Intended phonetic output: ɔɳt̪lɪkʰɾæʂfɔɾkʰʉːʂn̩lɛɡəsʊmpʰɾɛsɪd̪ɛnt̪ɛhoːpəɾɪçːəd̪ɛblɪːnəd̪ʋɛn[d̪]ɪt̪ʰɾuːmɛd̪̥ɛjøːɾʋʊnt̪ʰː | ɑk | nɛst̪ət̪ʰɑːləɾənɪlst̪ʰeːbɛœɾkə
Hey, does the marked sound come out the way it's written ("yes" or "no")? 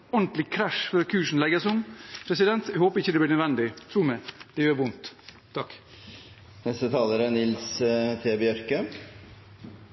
yes